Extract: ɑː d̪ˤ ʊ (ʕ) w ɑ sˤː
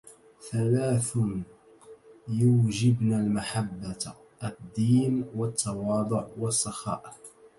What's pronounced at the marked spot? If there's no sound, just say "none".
ʕ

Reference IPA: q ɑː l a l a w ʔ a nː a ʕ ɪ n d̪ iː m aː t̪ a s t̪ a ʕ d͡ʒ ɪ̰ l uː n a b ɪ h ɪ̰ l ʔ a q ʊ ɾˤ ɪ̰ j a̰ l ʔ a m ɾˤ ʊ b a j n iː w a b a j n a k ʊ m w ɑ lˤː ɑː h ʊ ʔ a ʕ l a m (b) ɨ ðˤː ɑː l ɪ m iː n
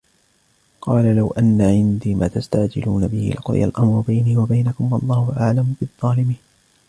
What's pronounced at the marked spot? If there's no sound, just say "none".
b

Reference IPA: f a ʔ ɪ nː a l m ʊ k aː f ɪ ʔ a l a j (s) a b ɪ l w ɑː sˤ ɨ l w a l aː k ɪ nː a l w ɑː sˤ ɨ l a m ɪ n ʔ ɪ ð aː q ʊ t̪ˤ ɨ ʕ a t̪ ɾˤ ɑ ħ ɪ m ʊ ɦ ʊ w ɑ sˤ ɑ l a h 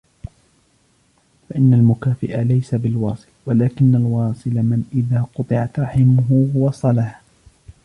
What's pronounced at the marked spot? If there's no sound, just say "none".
s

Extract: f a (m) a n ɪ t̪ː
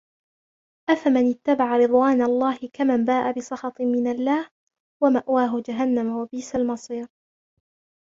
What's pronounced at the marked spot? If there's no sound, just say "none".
m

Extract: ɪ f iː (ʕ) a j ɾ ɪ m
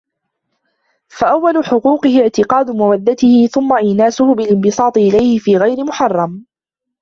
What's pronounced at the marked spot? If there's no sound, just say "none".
ɣ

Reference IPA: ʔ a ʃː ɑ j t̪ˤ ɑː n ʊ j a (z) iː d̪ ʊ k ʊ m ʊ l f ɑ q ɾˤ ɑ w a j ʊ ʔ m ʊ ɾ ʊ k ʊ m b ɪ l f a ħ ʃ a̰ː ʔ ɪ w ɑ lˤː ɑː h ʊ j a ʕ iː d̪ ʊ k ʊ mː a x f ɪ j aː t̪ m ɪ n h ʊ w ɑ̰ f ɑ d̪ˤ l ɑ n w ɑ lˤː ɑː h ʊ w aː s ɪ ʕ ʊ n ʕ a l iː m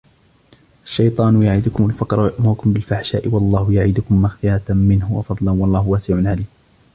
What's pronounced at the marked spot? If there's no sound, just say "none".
ʕ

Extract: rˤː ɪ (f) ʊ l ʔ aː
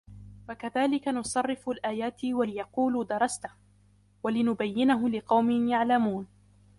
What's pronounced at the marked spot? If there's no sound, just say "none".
f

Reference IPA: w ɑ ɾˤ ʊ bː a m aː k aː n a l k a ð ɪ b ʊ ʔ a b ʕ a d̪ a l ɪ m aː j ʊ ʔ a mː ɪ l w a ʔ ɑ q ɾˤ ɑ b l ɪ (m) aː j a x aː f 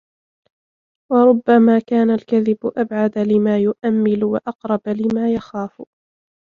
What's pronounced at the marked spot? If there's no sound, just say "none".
m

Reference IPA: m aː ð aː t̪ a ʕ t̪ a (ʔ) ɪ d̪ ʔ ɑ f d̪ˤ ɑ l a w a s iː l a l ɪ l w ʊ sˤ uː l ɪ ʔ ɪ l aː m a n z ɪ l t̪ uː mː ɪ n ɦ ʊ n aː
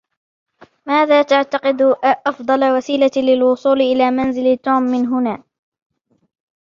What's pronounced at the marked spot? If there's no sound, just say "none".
q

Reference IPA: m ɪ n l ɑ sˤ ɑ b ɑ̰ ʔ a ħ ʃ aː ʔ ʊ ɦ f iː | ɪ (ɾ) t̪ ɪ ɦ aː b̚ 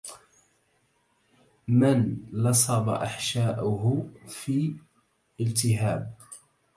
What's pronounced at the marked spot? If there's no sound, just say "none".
l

